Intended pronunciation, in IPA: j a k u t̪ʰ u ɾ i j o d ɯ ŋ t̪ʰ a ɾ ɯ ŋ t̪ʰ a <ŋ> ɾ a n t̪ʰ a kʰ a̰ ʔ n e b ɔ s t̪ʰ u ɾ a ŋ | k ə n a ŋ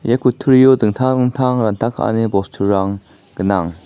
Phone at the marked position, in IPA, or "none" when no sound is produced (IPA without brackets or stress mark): ŋ